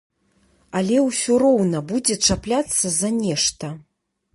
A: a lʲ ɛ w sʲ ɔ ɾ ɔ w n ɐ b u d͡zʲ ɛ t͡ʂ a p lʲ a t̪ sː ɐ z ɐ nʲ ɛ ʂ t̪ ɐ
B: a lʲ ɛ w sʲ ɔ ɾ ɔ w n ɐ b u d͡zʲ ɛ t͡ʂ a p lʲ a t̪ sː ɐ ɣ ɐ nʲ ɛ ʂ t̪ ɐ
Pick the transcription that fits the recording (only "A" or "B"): A